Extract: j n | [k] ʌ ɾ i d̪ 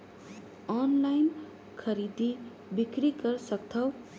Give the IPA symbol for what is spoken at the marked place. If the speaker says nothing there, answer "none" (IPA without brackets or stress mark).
kʰ